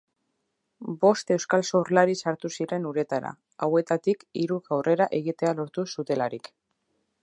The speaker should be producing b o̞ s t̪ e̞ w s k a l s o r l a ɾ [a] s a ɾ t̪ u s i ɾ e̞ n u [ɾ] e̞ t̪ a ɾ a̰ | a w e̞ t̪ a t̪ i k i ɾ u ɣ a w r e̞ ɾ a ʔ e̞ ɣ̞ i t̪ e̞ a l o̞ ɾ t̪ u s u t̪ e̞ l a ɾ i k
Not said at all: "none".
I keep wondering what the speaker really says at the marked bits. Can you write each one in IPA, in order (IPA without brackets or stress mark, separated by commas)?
i, ɾ